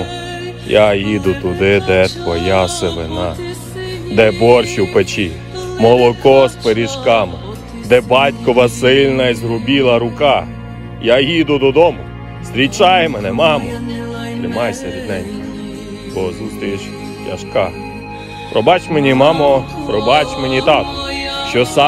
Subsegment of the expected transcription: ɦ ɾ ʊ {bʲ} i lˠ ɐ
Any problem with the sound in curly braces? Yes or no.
no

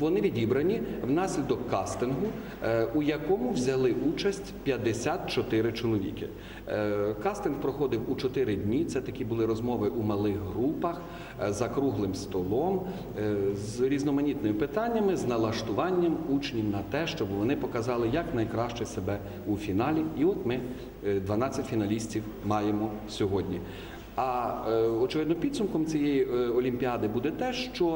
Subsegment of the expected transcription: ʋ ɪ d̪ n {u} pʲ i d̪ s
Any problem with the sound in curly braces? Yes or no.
yes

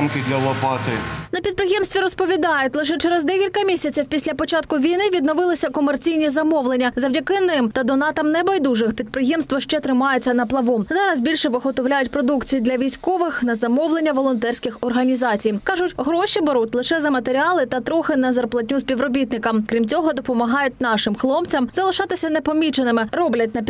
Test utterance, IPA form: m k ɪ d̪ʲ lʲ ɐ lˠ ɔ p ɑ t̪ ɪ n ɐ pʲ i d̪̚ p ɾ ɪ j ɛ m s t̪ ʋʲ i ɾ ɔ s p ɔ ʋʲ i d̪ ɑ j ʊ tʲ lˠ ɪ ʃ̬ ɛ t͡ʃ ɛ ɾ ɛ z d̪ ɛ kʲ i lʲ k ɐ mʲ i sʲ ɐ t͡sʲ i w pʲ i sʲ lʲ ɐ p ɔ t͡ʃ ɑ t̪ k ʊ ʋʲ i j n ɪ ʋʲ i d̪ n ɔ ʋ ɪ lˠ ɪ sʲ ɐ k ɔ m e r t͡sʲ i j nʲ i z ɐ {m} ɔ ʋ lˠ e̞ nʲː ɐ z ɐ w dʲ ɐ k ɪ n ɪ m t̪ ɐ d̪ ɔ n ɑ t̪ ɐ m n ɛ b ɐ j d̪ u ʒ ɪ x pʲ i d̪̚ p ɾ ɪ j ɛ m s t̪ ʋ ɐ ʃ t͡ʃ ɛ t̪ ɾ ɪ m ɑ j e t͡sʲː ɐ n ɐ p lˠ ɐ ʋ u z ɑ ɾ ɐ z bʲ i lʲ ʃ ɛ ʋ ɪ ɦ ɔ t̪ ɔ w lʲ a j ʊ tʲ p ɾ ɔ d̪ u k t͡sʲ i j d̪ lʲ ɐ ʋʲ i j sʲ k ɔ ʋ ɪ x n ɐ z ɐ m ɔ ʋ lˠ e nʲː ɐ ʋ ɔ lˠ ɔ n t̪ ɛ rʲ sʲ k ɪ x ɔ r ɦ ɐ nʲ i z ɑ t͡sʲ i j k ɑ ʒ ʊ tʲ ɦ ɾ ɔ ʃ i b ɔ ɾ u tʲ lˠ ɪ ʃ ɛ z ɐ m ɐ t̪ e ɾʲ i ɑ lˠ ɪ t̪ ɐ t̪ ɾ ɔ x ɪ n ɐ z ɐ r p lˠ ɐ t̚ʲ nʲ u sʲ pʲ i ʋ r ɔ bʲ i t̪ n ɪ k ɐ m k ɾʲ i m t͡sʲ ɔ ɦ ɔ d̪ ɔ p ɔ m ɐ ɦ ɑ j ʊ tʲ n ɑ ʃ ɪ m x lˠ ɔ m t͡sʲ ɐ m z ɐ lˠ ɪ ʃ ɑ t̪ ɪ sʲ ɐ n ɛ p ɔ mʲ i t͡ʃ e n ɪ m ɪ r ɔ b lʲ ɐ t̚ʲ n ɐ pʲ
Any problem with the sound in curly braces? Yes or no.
no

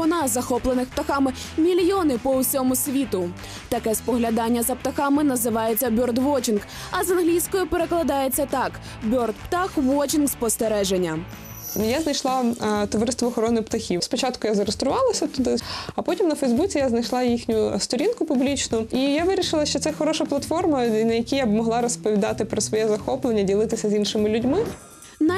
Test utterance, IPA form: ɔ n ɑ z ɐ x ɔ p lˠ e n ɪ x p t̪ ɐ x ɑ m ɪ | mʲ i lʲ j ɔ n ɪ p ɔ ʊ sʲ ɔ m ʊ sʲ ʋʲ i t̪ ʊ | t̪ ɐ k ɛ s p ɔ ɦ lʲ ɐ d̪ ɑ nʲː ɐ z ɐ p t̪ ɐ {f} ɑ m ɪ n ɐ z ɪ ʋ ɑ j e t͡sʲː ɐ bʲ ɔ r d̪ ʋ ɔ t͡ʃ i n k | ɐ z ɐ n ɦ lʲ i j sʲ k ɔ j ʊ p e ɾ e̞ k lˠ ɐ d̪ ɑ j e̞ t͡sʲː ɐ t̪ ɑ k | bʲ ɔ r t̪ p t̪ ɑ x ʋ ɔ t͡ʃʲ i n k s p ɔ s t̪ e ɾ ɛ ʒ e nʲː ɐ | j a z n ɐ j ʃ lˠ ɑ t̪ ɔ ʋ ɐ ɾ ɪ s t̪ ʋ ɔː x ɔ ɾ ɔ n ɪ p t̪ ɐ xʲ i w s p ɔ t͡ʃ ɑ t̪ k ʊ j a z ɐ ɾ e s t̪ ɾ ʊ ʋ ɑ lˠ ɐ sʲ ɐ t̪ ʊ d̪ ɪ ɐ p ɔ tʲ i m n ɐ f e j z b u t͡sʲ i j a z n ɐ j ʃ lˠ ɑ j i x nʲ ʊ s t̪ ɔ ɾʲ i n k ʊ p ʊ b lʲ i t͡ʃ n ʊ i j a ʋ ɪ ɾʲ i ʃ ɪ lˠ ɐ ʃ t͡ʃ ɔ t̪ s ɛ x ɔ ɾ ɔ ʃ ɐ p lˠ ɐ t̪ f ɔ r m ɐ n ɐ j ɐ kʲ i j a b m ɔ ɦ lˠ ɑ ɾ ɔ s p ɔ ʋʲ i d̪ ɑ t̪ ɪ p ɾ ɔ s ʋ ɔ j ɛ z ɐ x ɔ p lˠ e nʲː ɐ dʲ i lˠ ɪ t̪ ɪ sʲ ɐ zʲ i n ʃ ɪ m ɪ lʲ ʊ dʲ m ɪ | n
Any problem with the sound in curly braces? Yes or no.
yes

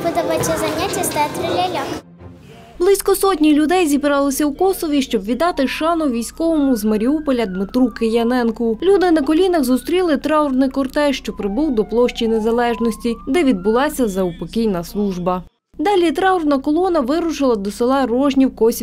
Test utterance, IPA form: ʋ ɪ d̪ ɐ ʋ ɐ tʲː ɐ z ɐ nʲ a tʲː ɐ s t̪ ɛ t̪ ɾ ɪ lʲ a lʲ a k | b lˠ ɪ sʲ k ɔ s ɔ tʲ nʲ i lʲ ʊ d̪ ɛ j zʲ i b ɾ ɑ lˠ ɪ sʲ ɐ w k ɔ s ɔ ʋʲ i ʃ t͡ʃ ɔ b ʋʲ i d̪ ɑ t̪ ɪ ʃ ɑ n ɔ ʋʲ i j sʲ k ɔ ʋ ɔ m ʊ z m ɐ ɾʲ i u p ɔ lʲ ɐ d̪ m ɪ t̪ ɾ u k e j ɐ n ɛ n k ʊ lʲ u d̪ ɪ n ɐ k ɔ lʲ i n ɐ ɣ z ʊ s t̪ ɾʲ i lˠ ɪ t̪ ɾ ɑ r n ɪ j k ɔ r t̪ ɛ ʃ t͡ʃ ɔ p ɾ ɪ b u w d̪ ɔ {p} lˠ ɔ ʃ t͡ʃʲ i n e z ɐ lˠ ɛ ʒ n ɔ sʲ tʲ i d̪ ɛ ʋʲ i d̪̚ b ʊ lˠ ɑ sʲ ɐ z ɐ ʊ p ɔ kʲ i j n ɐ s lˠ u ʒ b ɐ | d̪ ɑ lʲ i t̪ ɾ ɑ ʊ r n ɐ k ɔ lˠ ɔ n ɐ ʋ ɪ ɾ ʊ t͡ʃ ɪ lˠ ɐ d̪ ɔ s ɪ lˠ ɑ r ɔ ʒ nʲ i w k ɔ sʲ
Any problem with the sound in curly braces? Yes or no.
no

